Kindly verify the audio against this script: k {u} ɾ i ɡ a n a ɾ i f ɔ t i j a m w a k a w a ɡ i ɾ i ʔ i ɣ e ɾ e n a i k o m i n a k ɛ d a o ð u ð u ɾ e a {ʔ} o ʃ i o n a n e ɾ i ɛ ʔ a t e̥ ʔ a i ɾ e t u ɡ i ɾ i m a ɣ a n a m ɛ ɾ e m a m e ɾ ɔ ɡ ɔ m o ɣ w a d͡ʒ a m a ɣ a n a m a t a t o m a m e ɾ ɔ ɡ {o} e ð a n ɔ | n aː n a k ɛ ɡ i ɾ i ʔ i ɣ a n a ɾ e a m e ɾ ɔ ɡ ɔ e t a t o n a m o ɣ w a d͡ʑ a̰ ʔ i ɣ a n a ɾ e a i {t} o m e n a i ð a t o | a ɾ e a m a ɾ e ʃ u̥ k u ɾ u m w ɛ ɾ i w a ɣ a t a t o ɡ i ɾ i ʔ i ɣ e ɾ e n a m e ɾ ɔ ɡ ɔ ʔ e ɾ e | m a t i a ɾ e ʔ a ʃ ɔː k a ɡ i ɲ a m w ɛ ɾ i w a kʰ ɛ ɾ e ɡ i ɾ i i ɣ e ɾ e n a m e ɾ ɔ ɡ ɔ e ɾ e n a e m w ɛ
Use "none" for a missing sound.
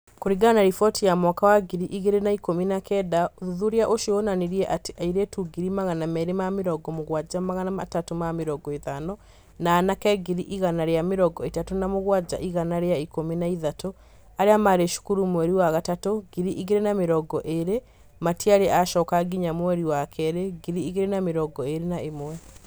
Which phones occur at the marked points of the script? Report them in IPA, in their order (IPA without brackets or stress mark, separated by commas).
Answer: o, ʔ, ɔ, k